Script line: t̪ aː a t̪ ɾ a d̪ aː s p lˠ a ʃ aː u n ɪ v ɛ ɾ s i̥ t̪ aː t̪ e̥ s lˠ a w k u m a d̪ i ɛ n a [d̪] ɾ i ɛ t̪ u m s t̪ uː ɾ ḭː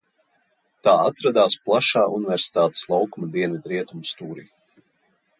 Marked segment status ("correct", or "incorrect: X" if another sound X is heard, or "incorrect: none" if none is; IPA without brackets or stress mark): correct